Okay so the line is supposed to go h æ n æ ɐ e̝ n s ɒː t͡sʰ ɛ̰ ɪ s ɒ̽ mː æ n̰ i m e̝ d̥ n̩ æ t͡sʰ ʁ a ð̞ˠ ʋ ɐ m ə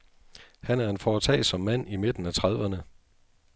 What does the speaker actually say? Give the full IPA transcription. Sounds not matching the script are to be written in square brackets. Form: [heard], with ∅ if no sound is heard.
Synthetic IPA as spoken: h æ n æ ɐ e̝ n [f] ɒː t͡sʰ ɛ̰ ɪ s ɒ̽ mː æ n̰ i m e̝ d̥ n̩ æ t͡sʰ ʁ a ð̞ˠ ʋ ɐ [n] ə